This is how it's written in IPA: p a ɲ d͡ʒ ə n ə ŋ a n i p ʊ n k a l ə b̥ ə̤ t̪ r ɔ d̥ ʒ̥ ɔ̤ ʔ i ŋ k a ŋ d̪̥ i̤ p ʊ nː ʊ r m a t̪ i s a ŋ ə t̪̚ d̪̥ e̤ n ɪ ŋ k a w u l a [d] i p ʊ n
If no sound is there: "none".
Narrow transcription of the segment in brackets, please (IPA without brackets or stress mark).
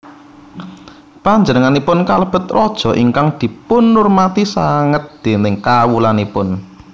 n